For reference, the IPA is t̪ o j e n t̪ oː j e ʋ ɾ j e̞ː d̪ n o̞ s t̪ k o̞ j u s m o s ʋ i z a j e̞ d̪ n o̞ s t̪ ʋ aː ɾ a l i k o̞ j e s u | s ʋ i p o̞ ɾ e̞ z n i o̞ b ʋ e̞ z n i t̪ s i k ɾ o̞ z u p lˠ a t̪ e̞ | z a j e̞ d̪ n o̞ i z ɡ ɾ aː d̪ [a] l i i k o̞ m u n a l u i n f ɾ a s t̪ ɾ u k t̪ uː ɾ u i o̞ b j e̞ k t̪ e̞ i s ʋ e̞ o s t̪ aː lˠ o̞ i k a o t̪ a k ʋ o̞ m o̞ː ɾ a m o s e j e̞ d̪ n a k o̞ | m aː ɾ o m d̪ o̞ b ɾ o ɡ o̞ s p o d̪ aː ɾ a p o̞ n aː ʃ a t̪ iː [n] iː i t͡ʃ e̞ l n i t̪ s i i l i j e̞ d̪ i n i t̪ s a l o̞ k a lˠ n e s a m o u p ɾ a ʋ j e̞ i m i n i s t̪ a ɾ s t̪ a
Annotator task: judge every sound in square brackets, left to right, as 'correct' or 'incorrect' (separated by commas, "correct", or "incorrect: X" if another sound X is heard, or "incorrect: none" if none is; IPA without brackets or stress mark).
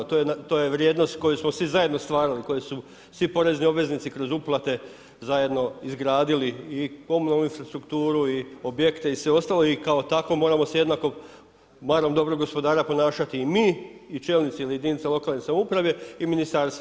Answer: incorrect: i, incorrect: m